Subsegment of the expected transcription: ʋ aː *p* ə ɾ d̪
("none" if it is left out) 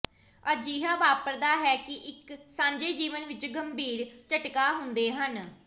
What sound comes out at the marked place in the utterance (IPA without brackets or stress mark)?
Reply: p